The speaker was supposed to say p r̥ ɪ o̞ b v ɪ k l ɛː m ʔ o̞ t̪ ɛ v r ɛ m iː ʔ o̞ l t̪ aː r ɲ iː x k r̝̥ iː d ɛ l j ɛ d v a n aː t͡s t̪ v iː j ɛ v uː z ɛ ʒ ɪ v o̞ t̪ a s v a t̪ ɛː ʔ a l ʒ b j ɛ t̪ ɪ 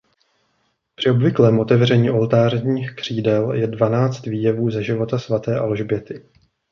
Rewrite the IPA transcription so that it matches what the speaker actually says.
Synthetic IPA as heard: p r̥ ɪ o̞ b v ɪ k l ɛː m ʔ o̞ t̪ ɛ v r ɛ ɲ iː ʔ o̞ l t̪ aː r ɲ iː x k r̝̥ iː d ɛ l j ɛ d v a n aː t͡s t̪ v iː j ɛ v uː z ɛ ʒ ɪ v o̞ t̪ a s v a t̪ ɛː ʔ a l ʒ b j ɛ t̪ ɪ